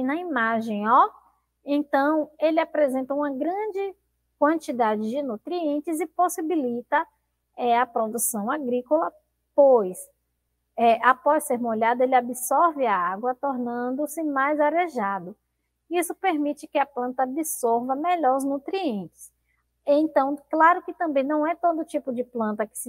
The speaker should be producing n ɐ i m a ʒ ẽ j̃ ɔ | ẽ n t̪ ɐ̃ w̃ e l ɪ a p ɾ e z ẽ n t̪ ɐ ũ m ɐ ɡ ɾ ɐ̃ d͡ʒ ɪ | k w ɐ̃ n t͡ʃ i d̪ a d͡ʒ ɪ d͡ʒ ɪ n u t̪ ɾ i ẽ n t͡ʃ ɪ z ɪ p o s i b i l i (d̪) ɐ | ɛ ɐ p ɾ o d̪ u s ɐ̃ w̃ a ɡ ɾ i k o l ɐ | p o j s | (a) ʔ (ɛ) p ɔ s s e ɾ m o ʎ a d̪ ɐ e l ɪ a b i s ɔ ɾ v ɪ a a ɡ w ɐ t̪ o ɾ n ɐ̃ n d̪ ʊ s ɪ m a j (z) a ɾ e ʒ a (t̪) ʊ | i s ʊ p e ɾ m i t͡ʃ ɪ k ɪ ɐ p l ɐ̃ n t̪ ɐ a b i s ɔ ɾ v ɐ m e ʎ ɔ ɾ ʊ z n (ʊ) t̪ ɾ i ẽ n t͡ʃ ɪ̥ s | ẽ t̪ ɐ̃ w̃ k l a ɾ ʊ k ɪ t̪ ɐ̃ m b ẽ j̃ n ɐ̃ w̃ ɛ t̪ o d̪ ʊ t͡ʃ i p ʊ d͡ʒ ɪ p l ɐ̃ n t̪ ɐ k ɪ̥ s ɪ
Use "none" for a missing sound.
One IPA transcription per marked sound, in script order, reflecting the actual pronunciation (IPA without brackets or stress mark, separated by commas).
t̪, ɛ, a, z, d̪, u